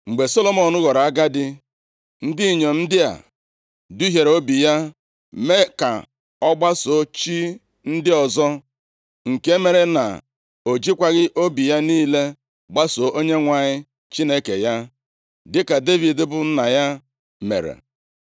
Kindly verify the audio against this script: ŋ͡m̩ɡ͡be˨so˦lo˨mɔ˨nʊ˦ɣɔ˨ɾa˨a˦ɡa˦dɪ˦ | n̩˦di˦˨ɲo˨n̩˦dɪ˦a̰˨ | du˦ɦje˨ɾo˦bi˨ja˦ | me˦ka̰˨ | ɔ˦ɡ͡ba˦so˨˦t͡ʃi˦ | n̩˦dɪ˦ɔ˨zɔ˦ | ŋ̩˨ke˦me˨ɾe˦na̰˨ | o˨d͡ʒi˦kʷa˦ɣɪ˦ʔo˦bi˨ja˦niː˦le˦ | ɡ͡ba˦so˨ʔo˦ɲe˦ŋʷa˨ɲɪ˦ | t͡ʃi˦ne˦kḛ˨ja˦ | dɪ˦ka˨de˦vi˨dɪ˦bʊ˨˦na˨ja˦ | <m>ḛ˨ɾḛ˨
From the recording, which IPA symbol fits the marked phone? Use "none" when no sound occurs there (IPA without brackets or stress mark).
m